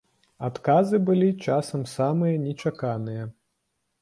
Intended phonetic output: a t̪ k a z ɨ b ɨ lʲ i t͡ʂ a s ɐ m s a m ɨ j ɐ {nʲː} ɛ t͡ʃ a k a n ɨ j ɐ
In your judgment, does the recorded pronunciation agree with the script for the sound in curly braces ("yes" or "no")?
no